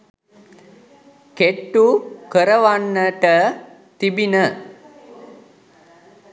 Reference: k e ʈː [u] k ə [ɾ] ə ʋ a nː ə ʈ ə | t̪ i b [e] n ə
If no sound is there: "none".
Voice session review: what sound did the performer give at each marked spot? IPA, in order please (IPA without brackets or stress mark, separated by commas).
u, ɾ, i